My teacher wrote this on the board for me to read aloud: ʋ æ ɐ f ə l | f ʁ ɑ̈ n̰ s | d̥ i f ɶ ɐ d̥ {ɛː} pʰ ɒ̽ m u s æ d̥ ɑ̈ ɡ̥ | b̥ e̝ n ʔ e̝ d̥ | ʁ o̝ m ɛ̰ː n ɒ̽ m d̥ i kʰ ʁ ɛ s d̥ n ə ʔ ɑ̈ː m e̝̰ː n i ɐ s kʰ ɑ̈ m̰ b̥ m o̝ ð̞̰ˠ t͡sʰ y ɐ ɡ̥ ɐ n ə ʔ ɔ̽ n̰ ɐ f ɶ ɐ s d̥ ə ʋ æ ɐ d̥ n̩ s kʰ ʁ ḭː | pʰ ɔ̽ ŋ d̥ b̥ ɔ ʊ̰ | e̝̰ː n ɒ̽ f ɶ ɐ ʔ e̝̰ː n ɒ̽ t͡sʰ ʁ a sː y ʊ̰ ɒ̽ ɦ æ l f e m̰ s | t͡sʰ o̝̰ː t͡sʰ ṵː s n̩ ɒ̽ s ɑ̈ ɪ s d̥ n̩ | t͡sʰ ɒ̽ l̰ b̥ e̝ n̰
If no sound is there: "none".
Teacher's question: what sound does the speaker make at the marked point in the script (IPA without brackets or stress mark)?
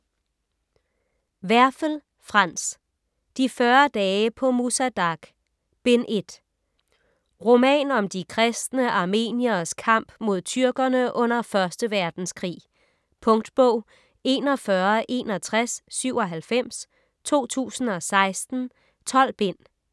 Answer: ɛː